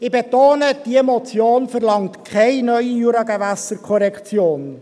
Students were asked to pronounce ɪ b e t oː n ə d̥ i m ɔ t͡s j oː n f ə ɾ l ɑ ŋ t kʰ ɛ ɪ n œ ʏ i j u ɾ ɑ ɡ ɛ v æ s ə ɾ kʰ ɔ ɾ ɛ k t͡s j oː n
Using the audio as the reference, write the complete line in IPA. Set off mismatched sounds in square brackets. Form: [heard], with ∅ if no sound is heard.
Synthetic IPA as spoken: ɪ b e t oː n ə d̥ i m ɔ t͡s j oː n f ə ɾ l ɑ ŋ t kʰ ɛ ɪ n œ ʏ i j u ɾ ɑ ɡ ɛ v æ s ə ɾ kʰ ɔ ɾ ɛ k t͡s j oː n